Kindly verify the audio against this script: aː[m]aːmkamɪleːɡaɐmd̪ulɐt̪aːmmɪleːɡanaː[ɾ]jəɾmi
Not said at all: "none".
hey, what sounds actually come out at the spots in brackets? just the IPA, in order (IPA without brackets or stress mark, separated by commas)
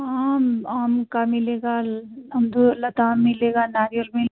m, ɾ